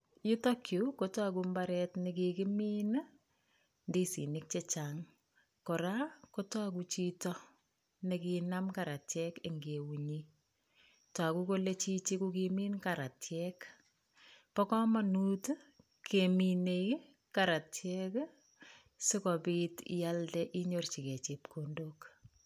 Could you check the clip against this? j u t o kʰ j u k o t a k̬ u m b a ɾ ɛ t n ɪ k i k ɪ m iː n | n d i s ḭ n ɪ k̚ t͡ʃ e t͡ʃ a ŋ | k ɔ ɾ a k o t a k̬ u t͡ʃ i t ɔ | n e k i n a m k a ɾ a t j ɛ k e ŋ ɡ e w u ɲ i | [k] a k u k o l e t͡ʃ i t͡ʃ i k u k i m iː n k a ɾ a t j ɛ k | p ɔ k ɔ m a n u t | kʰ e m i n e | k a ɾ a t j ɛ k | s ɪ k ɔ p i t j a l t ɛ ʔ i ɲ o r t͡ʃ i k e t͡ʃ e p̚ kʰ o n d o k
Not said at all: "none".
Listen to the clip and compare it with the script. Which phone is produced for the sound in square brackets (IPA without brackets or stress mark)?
t